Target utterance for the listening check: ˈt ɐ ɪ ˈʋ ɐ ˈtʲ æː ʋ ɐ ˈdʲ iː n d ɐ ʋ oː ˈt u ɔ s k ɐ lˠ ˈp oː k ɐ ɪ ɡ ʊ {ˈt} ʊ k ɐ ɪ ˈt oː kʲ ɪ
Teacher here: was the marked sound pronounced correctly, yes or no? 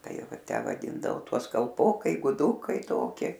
no